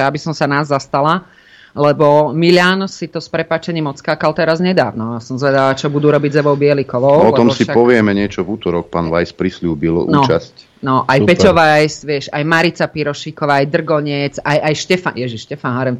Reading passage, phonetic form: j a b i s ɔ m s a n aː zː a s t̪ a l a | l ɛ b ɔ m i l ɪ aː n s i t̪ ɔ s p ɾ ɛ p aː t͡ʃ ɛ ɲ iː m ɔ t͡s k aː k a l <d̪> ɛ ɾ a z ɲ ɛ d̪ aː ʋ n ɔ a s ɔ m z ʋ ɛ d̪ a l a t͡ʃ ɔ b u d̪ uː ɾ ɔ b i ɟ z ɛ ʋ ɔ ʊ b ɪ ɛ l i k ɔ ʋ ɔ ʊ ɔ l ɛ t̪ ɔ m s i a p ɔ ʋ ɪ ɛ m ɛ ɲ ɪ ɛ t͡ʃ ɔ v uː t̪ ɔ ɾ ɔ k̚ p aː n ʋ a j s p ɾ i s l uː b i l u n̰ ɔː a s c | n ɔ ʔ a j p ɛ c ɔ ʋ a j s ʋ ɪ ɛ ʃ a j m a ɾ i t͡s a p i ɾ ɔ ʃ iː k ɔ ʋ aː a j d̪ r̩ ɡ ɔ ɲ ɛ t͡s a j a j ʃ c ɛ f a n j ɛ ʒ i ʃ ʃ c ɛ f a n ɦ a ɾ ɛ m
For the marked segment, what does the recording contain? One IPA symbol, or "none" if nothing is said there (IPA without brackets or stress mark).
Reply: t̪